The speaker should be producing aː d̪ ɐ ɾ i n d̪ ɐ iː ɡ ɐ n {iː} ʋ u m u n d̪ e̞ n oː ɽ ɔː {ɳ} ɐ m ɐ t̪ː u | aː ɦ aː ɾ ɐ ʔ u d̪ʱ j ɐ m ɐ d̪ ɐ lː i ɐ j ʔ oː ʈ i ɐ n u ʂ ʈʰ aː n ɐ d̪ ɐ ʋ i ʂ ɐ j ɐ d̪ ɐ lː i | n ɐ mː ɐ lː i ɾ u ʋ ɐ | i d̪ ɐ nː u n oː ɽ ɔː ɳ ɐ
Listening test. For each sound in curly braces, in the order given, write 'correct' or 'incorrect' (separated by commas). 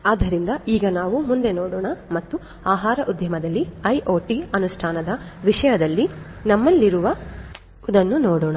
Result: incorrect, correct